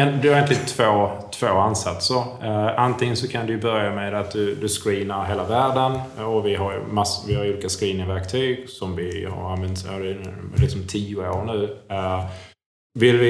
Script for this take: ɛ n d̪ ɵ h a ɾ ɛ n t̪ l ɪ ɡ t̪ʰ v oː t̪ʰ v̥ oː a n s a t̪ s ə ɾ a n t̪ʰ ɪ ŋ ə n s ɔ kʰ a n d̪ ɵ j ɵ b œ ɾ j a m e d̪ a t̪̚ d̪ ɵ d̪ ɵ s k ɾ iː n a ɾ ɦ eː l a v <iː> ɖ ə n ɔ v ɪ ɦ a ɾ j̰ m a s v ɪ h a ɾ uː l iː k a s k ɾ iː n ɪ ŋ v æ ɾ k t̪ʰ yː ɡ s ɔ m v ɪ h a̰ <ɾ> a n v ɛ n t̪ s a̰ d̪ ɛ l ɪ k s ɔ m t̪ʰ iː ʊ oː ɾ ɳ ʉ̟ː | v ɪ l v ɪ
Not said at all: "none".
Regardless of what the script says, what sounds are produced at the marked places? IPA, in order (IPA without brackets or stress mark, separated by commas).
æː, ɾ